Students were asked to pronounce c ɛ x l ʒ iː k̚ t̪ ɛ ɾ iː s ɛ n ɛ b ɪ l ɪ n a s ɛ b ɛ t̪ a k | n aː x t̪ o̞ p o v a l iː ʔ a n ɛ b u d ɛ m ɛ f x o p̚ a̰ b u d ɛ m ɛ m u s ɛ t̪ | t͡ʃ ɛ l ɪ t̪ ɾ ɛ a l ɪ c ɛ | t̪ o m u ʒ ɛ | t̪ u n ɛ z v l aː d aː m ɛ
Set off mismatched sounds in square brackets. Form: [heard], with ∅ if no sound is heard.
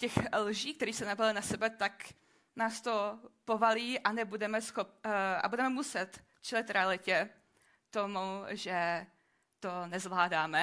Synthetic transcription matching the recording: c ɛ x l ʒ iː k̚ t̪ ɛ ɾ iː s ɛ n [a] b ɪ l ɪ n a s ɛ b ɛ t̪ a k | n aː [s] t̪ o̞ p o v a l iː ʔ a n ɛ b u d ɛ m ɛ [s] x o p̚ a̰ b u d ɛ m ɛ m u s ɛ t̪ | t͡ʃ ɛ l ɪ t̪ ɾ ɛ a l ɪ c ɛ | t̪ o m u ʒ ɛ | t̪ [o] n ɛ z v l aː d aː m ɛ